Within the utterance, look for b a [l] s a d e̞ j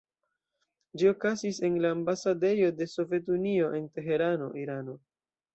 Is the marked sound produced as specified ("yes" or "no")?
no